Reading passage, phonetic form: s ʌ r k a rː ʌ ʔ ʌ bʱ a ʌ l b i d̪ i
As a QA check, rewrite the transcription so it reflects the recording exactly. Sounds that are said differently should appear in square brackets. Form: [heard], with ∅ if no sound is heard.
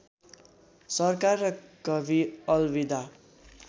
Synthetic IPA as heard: s ʌ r k a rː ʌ [k] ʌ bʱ [i] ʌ l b i d̪ [a]